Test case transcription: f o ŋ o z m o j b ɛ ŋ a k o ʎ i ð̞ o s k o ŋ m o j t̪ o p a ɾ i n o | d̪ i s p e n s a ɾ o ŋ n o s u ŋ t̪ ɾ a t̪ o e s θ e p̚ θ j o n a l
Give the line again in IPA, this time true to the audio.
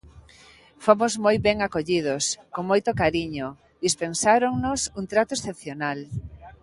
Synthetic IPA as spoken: f o m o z m o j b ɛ ŋ a k o ʎ i ð̞ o s k o ŋ m o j t̪ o k a ɾ i ɲ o | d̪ i s p e n s a ɾ o ŋ n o s u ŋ t̪ ɾ a t̪ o e s θ e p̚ θ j o n a l